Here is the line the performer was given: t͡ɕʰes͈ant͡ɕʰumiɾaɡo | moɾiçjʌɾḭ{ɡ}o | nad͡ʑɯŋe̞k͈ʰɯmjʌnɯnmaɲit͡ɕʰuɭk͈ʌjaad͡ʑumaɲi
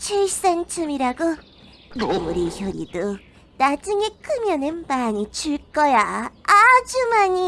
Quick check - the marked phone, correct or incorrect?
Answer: incorrect: d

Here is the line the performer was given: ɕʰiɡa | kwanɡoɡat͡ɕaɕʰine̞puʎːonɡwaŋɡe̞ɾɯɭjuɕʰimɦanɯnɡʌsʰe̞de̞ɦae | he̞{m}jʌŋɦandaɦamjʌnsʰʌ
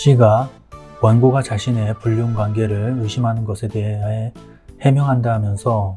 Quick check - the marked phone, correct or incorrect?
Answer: correct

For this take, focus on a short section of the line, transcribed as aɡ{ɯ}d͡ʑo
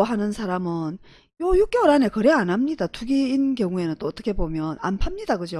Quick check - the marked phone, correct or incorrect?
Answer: correct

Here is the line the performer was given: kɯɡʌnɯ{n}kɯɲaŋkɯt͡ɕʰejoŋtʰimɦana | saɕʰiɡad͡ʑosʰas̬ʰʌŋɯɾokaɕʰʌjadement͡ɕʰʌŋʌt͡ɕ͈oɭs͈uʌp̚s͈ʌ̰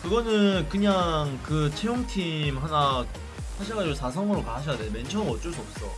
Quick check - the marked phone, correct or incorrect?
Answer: correct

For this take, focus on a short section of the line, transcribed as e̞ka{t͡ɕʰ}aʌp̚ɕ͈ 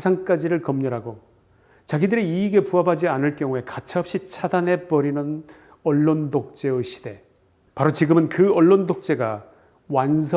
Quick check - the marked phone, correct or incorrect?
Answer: correct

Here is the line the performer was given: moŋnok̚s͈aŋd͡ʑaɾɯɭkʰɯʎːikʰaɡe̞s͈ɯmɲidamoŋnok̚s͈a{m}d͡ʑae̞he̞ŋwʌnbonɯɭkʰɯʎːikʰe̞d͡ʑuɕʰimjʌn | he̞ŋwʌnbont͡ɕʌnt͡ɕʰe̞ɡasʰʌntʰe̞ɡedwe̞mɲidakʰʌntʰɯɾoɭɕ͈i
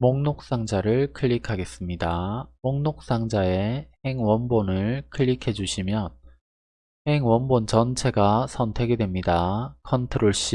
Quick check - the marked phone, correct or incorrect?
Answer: incorrect: ŋ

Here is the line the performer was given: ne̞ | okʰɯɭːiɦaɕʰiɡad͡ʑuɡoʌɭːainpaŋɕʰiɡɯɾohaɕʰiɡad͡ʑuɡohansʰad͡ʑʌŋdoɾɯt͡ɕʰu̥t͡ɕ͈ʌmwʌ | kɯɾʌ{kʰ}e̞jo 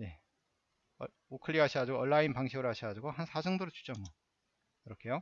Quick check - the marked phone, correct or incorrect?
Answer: correct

